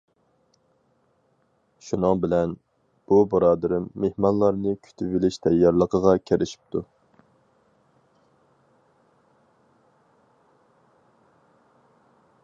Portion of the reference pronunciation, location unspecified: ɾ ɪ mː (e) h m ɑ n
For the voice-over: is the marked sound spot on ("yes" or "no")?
yes